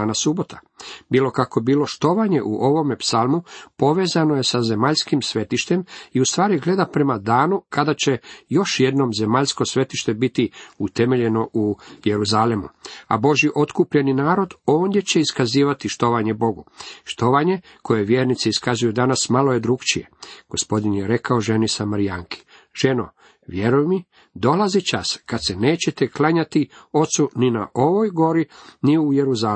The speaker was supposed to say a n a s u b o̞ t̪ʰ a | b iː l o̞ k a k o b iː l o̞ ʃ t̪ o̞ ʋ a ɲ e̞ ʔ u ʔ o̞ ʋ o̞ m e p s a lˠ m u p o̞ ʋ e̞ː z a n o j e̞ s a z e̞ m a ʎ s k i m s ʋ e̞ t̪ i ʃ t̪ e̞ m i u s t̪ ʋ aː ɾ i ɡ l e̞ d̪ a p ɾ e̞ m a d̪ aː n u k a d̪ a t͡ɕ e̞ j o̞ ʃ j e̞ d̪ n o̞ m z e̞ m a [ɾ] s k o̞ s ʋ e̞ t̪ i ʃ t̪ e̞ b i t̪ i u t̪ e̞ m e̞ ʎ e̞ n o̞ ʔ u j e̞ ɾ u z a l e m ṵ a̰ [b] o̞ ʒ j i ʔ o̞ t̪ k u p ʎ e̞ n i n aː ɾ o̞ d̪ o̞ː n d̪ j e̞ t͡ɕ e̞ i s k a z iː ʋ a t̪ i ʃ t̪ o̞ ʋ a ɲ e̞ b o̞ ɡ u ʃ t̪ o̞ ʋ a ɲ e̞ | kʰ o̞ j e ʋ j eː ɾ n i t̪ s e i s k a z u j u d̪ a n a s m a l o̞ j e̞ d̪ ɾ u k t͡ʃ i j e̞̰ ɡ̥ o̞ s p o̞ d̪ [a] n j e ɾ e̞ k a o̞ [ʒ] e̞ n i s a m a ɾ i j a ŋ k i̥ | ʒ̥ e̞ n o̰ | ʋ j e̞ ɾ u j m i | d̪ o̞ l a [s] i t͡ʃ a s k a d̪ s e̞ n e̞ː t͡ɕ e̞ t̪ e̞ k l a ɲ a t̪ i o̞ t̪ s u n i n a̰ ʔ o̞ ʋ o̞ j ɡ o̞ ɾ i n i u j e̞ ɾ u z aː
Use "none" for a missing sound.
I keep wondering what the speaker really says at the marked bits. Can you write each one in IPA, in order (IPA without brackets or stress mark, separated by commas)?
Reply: ʎ, b, i, ʒ, z